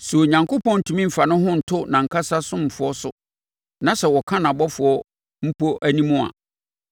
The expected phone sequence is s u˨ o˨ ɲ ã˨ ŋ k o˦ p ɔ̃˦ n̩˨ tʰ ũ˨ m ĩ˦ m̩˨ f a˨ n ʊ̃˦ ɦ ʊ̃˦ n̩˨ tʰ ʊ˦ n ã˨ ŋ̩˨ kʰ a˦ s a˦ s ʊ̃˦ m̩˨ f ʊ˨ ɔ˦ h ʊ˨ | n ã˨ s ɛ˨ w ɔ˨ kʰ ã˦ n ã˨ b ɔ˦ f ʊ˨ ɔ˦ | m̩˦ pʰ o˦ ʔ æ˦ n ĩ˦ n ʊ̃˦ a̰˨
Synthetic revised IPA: s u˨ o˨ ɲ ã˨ ŋ k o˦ p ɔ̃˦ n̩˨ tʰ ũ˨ m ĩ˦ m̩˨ f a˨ n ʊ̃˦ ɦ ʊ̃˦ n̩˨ tʰ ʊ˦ n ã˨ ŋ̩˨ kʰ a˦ s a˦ s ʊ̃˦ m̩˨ f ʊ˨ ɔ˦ s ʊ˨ | n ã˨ s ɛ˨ w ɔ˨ kʰ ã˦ n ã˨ b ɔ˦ f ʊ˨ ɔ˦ | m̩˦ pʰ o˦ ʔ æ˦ n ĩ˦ m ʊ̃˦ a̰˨